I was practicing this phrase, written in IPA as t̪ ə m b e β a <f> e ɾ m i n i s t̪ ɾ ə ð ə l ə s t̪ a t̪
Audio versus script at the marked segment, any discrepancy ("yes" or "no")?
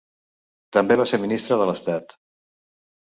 yes